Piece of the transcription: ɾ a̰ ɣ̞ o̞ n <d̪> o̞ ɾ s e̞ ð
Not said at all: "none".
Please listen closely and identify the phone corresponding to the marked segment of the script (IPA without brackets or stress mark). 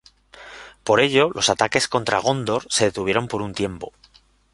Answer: d̪